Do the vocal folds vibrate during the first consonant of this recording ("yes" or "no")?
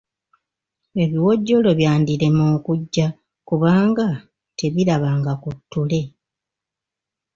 yes